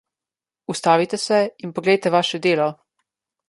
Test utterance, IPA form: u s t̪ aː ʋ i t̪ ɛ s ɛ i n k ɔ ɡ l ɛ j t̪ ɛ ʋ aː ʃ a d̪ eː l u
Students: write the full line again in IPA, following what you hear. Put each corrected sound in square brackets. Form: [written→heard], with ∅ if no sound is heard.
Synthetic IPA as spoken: u s t̪ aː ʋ i t̪ ɛ s ɛ i n [k→p] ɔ ɡ l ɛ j t̪ ɛ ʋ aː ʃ [a→ɛ] d̪ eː l [u→ɔ]